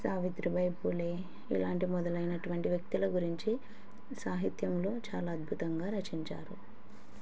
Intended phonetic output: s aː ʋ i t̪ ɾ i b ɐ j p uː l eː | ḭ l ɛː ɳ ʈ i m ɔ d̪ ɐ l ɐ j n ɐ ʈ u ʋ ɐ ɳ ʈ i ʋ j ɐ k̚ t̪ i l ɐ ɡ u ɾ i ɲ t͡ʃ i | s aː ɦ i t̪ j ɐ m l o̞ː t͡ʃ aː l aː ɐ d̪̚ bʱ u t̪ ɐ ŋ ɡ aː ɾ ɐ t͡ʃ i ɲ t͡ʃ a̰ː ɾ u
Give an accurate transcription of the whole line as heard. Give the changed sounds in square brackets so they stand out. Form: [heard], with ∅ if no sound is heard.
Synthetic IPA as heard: s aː ʋ i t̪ ɾ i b ɐ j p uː l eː | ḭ l [aː] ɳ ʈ i m ɔ d̪ ɐ l ɐ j n ɐ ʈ u ʋ ɐ ɳ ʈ i ʋ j ɐ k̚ t̪ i l ɐ ɡ u ɾ i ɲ t͡ʃ i | s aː ɦ i t̪ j ɐ m l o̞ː t͡ʃ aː l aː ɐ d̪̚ bʱ u t̪ ɐ ŋ ɡ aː ɾ ɐ t͡ʃ i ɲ t͡ʃ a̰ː ɾ u